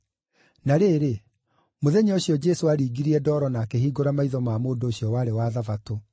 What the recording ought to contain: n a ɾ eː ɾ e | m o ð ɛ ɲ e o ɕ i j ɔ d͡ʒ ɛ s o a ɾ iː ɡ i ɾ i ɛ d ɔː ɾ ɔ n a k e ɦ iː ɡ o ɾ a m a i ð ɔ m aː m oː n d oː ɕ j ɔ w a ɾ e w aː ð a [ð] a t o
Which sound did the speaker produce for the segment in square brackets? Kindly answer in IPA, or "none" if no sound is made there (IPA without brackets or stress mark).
v